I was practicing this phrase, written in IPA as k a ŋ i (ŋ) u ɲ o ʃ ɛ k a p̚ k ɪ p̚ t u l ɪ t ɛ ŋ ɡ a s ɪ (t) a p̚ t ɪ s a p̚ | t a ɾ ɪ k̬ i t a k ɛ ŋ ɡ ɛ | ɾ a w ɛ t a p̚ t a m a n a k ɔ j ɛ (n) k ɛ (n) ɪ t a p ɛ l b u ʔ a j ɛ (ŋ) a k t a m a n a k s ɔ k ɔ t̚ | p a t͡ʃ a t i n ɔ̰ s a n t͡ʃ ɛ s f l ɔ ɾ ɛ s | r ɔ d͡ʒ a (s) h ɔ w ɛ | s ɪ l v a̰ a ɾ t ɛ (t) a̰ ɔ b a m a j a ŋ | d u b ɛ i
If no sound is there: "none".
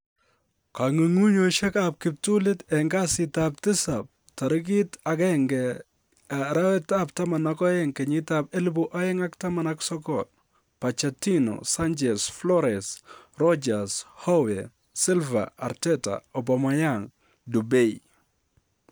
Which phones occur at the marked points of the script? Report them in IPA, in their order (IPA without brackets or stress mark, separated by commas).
ŋ, t, ŋ, ɲ, ŋ, s, t